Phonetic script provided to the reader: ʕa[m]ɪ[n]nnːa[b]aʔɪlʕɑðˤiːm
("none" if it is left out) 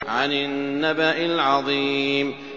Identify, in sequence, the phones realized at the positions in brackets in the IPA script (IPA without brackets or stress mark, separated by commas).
n, n, b